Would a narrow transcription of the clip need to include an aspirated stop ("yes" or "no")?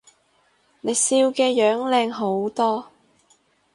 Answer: no